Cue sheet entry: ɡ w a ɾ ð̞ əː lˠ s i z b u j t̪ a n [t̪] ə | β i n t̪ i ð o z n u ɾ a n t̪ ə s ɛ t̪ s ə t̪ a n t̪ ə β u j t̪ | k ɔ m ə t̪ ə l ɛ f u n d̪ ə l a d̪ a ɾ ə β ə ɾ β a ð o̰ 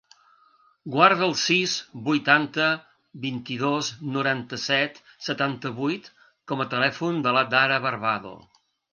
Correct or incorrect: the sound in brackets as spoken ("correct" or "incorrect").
correct